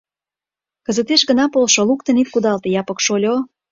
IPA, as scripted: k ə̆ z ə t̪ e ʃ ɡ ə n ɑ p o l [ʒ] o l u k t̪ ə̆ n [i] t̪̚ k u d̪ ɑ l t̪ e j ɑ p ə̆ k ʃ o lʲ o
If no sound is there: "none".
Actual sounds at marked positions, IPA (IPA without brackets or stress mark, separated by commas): ʃ, i